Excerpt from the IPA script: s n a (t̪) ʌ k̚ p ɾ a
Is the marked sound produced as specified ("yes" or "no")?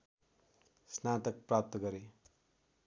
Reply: yes